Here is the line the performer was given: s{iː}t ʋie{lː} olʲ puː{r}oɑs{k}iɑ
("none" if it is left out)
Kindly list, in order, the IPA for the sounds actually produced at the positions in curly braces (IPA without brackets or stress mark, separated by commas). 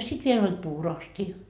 i, l, r, t